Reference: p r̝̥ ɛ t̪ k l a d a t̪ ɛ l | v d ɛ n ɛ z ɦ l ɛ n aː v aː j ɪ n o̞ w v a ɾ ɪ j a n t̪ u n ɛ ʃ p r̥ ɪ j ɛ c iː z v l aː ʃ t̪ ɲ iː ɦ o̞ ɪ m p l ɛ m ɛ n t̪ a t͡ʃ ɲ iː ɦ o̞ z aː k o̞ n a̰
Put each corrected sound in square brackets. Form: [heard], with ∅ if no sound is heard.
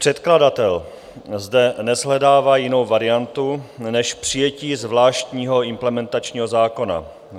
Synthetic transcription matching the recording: p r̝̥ ɛ t̪ k l a d a t̪ ɛ l | [z] d ɛ n ɛ z ɦ l ɛ [d] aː v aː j ɪ n o̞ w v a ɾ ɪ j a n t̪ u n ɛ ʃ p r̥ ɪ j ɛ c iː z v l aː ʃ t̪ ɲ iː ɦ o̞ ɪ m p l ɛ m ɛ n t̪ a t͡ʃ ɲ iː ɦ o̞ z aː k o̞ n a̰